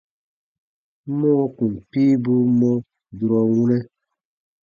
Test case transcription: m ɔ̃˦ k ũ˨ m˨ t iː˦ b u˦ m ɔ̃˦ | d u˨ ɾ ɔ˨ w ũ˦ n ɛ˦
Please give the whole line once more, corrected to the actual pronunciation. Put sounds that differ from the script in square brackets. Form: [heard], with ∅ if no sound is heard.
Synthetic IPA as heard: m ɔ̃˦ k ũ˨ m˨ [p] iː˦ b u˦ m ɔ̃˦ | d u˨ ɾ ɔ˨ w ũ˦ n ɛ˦